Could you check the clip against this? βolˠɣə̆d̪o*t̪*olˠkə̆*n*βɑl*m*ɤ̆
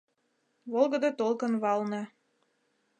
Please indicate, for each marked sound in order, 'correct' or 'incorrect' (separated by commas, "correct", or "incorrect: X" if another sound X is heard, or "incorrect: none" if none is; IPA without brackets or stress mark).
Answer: correct, correct, incorrect: n